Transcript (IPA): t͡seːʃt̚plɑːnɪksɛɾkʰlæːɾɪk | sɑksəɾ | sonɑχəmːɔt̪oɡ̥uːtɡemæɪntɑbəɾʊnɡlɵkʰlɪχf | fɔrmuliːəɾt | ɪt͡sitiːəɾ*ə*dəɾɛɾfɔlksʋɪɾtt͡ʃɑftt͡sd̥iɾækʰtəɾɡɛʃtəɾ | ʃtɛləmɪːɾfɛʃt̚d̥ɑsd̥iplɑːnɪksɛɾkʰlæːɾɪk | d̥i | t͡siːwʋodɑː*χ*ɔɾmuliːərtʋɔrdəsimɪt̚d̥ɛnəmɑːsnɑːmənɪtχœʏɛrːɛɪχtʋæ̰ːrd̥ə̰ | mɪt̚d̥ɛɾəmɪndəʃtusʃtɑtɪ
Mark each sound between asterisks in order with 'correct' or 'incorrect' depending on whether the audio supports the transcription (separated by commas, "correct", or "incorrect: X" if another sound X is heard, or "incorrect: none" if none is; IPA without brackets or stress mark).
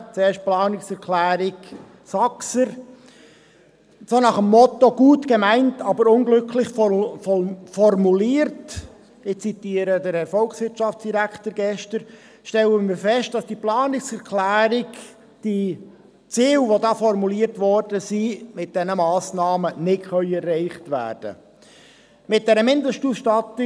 correct, incorrect: f